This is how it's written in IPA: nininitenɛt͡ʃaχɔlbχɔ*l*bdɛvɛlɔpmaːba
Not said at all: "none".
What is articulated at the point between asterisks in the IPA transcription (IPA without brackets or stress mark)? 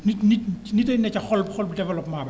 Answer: l